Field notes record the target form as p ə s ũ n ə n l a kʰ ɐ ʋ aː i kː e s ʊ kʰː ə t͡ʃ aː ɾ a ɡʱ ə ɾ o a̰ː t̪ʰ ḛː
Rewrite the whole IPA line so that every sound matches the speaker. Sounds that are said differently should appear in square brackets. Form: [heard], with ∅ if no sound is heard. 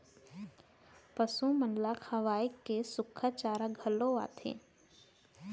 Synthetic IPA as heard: p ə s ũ [m] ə n l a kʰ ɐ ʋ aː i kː e s ʊ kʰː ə t͡ʃ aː ɾ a ɡʱ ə [l] o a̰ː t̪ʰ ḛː